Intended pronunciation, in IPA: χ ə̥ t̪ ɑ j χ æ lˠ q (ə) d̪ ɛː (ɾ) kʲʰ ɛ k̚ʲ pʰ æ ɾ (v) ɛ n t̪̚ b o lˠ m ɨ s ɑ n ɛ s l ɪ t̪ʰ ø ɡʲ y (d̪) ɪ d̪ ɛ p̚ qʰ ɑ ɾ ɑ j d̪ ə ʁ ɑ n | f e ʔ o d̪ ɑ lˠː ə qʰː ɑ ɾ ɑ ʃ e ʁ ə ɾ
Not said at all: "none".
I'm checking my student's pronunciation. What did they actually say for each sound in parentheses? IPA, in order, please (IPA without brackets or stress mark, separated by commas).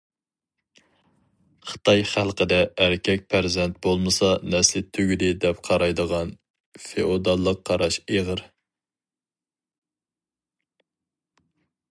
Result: ə, ɾ, z, d̪